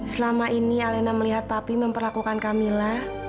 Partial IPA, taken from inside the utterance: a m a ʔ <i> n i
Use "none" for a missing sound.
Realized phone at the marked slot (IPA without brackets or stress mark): i